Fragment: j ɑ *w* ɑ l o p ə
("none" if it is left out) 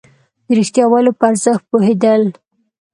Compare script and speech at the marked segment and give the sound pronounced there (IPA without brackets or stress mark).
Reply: w